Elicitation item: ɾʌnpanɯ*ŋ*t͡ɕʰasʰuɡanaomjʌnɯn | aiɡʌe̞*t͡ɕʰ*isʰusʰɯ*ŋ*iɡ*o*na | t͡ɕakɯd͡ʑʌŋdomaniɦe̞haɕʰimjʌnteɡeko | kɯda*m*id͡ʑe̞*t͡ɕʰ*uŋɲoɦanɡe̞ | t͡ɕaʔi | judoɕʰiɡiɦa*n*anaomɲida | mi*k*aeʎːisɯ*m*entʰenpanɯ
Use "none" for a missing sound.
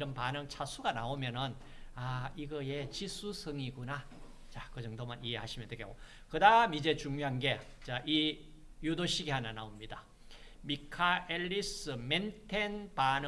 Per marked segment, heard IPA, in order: ŋ, t͡ɕ, ŋ, u, m, t͡ɕ, n, kʰ, m

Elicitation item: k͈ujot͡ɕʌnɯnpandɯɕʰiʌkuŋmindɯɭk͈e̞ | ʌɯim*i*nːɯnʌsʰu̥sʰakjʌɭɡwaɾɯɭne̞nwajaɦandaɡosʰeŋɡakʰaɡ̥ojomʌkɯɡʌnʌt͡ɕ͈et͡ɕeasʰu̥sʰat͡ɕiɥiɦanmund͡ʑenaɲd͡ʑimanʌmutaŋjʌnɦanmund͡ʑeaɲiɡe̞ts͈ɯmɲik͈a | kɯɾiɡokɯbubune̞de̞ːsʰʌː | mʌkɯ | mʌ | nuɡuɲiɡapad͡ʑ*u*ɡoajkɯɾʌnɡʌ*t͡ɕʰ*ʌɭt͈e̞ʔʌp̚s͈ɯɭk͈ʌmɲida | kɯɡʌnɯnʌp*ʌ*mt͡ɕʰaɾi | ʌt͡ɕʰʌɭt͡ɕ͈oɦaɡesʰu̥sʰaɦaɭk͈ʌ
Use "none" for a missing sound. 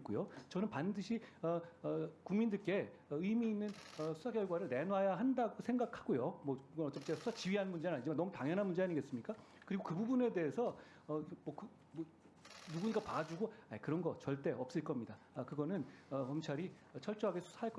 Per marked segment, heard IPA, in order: iː, u, t͡ɕ, ʌ

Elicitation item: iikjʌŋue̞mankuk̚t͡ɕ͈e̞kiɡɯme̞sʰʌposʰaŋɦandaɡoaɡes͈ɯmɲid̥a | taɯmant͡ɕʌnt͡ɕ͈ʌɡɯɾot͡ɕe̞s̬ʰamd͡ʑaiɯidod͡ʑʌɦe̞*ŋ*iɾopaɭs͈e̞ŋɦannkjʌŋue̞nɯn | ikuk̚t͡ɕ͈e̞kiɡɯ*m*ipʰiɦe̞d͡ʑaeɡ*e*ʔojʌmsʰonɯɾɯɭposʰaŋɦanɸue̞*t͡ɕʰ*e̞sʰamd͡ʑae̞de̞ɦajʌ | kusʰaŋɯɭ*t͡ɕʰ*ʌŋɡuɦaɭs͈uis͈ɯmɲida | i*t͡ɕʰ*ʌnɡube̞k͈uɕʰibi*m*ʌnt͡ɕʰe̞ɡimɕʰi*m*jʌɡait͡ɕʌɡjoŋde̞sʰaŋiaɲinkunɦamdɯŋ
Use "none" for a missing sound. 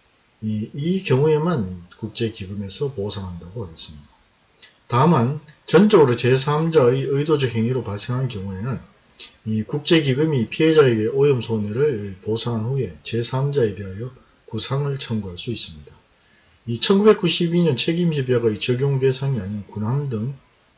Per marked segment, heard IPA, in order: ŋ, m, e, t͡ɕ, t͡ɕʰ, t͡ɕʰ, ɲ, b

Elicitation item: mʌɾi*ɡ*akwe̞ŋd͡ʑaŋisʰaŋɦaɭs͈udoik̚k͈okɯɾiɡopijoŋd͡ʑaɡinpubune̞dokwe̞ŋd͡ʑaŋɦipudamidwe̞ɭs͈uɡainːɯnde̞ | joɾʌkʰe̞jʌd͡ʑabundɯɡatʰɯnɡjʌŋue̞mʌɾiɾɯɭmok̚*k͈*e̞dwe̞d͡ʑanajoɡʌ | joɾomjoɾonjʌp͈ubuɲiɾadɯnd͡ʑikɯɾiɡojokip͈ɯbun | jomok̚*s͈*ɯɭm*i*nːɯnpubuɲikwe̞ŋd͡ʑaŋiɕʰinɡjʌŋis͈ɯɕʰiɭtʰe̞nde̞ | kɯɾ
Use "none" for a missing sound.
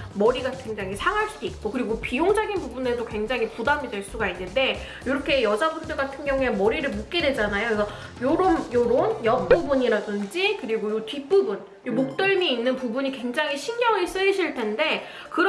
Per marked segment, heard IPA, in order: ɡ, k͈, t͈, iː

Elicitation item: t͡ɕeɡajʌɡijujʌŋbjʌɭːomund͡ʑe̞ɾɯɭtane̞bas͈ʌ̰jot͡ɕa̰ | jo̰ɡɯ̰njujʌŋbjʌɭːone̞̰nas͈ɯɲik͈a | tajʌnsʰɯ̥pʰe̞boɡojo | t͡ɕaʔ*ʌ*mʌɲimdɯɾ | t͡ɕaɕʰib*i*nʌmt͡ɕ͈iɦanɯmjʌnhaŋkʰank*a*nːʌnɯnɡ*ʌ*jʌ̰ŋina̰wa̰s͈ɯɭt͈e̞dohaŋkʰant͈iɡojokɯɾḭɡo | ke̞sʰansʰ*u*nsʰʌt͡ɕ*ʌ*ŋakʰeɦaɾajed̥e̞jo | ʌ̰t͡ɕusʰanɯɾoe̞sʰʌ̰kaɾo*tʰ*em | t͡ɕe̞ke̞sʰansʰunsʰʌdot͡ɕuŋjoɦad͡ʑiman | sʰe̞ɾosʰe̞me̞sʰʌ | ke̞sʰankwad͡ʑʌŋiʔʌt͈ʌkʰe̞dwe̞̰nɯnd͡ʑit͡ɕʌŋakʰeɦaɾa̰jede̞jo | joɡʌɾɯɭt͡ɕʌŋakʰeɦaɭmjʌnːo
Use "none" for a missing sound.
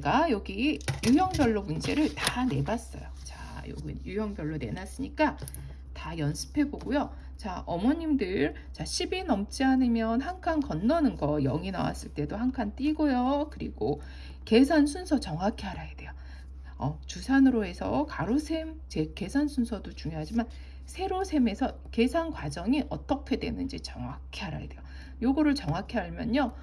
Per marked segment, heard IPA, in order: ʌ, i, ʌ, ʌ, u, ʌ, sʰ

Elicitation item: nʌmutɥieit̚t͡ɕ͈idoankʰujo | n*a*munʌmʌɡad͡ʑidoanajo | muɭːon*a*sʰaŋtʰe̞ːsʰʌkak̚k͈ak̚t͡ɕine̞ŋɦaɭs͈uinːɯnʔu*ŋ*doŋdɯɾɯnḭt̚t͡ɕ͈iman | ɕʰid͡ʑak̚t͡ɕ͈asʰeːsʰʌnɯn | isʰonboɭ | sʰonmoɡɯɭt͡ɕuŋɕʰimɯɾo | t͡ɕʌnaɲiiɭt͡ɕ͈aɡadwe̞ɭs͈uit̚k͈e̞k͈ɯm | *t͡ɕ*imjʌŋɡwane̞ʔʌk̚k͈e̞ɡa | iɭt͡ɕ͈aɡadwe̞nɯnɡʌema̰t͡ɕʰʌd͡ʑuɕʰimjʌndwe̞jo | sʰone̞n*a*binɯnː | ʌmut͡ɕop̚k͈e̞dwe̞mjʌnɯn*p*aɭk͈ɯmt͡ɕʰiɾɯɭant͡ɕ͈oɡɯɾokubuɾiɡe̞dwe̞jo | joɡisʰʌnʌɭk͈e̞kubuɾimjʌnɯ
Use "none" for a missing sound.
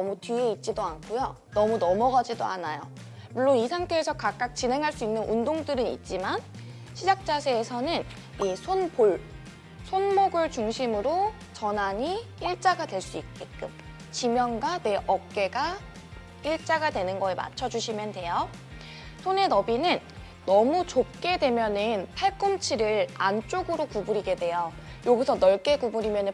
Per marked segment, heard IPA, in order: ʌ, i, n, t͡ɕ, ʌ, pʰ

